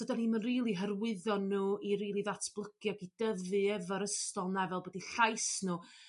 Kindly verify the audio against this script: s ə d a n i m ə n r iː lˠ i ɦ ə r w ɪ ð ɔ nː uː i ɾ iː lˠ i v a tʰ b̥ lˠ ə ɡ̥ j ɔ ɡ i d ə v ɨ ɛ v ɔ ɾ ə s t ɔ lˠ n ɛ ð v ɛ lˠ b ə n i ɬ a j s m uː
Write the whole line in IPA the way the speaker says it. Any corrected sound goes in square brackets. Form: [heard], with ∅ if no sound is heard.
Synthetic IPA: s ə d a n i m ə n r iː lˠ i ɦ ə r w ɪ ð ɔ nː uː i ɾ iː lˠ i [ð] a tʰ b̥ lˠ ə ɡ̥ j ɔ ɡ i d ə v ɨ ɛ v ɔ ɾ ə s t ɔ lˠ n ɛ [∅] v ɛ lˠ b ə [d] i ɬ a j s [n] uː